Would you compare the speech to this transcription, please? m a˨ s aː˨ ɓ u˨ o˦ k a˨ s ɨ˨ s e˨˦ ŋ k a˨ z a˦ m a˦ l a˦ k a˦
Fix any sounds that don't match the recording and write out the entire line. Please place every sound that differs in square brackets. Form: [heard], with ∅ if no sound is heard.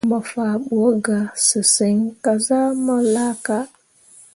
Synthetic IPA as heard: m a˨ [f] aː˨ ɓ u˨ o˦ [ɡ] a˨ s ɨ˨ s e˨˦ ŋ k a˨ z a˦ m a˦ l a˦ k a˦